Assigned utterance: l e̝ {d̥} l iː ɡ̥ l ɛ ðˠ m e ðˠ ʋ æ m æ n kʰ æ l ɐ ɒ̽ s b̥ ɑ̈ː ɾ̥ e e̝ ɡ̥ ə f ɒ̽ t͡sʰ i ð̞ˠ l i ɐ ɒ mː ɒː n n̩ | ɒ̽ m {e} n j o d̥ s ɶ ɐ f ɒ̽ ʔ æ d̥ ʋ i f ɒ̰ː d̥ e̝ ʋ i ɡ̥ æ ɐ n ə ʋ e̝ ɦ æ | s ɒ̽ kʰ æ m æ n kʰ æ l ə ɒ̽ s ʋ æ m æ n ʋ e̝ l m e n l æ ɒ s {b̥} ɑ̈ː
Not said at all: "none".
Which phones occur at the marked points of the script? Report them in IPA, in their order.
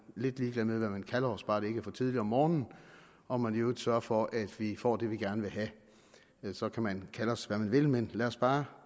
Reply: d̥, æ, b̥

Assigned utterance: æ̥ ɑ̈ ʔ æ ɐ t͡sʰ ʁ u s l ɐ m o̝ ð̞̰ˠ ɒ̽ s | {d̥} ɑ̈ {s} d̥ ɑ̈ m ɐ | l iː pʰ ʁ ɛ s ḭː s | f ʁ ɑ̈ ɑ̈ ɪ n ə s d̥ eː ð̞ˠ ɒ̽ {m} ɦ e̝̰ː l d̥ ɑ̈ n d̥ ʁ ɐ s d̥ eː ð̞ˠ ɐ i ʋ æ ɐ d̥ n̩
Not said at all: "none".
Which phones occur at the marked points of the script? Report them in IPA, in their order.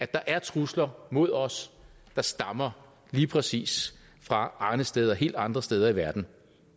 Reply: d̥, s, none

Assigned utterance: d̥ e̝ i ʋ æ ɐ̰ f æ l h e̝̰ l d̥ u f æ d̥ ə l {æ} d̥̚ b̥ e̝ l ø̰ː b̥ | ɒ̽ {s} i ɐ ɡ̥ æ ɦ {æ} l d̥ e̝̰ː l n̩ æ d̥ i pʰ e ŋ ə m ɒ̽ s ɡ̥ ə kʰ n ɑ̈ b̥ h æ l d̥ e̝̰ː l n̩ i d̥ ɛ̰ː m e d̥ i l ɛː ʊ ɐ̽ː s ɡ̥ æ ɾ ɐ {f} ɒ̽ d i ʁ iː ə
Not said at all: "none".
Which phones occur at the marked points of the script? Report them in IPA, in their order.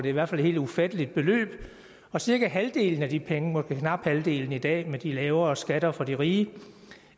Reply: i, s, æ, f

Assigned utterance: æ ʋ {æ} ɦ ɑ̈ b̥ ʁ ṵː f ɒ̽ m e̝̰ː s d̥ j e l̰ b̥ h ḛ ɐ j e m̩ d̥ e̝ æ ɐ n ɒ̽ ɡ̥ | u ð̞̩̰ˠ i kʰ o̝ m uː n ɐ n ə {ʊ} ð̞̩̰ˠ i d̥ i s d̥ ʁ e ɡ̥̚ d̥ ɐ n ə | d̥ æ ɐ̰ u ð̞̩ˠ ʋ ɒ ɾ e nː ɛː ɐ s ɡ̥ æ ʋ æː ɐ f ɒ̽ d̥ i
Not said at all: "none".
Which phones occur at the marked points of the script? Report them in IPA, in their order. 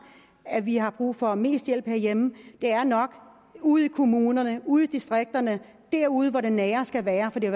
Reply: i, u

